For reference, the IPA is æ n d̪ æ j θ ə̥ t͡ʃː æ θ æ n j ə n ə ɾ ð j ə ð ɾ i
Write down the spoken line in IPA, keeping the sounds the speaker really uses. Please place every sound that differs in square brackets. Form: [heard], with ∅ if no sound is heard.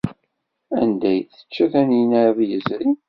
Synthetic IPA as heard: æ n d̪ æ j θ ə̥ t͡ʃː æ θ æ n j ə n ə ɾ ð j ə [z] ɾ i